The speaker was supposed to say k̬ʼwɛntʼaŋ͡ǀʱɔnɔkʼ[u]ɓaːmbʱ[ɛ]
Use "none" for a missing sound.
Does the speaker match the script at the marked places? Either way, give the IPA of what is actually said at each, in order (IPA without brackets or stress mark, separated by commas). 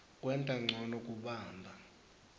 u, a